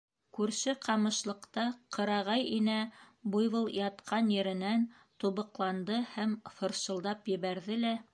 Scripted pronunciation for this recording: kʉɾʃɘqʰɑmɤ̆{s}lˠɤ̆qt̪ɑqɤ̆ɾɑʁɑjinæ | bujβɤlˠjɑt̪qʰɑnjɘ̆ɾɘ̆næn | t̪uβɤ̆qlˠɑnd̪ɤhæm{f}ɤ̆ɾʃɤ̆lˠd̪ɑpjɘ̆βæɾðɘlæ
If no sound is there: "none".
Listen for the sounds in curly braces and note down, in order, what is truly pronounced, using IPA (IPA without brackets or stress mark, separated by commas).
ʃ, f